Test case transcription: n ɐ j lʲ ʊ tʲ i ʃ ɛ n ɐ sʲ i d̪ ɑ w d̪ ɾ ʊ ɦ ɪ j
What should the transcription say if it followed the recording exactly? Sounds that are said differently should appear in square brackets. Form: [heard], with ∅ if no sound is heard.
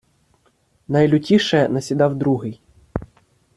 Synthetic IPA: n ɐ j lʲ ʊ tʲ i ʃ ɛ n ɐ sʲ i d̪ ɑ w d̪ ɾ [u] ɦ ɪ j